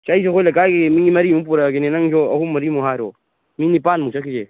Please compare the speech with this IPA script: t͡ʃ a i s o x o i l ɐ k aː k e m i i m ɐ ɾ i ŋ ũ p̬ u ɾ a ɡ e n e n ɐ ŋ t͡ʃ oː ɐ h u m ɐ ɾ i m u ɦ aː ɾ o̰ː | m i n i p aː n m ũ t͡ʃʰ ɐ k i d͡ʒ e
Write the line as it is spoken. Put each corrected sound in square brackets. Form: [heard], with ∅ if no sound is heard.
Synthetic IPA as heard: t͡ʃ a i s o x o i l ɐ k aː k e m i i m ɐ ɾ i [m] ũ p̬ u ɾ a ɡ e n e n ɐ ŋ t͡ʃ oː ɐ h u m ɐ ɾ i m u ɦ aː ɾ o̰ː | m i n i p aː n m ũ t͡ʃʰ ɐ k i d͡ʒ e